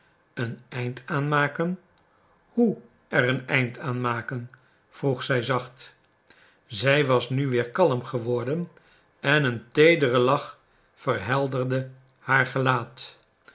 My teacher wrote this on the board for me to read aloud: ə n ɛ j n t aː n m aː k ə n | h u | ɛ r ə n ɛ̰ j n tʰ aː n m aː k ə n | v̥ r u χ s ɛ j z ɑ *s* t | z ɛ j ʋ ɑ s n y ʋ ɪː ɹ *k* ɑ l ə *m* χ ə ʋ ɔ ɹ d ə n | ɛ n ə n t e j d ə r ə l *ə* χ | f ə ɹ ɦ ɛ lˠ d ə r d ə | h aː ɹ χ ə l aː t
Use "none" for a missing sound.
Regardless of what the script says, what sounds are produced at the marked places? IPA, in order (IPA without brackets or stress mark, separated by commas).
χ, k, m, ɑ